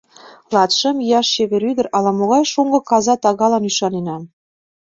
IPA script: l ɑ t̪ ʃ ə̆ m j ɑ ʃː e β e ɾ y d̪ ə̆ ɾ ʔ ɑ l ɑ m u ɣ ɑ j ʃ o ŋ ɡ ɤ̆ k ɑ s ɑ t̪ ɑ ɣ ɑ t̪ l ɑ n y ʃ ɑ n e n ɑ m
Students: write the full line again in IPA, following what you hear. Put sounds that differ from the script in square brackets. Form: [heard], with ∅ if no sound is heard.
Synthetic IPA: l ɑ t̪ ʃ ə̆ m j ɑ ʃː e β e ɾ y d̪ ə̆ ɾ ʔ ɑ l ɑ m [o] ɣ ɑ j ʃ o ŋ ɡ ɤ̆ k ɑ [z] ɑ t̪ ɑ ɣ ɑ [∅] l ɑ n y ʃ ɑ n e n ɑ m